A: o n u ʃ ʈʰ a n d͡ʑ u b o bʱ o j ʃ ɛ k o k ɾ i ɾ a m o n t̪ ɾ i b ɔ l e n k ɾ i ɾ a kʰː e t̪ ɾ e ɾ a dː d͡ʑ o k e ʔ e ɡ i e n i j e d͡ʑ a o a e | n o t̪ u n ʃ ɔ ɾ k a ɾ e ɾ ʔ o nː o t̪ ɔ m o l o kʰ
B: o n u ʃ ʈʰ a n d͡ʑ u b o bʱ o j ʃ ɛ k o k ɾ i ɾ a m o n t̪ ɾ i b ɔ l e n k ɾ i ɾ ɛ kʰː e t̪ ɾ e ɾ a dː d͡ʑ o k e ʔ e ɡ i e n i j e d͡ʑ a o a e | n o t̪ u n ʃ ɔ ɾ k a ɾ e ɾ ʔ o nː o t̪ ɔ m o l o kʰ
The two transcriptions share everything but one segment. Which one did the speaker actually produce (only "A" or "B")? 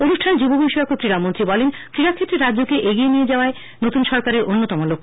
A